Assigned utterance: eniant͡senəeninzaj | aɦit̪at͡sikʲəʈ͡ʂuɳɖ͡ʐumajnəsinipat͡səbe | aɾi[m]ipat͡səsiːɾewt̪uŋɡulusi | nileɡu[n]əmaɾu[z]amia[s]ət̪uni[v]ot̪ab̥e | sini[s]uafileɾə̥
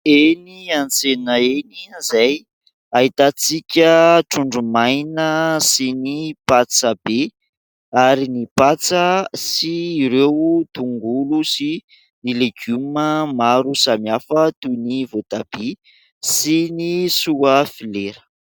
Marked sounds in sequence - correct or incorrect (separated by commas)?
incorrect, incorrect, incorrect, incorrect, correct, correct